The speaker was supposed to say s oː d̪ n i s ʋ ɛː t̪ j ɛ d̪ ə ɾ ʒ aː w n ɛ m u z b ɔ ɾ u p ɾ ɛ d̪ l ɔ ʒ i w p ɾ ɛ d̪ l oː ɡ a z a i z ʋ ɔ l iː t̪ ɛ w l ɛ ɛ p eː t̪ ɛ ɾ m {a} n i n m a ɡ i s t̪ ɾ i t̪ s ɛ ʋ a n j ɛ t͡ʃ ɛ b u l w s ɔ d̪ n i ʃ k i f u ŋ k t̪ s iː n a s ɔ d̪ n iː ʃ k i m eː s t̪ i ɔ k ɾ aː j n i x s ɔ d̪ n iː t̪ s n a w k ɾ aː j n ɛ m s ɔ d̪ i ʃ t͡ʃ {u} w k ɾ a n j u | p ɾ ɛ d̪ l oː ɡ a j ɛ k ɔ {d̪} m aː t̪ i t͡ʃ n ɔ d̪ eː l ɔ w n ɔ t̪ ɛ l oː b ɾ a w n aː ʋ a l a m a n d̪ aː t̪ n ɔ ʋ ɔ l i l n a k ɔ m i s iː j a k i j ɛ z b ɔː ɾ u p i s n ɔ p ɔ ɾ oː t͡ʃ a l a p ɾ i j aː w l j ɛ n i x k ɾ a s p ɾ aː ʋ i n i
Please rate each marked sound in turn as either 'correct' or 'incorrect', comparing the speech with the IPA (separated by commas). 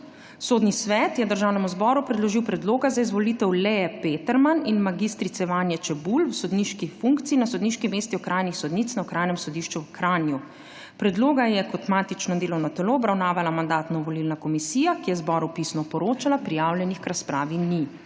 correct, correct, incorrect